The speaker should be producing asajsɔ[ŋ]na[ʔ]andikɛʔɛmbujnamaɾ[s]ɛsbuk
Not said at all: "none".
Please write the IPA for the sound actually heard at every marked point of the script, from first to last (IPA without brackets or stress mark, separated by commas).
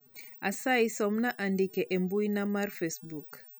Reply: m, ʔ, f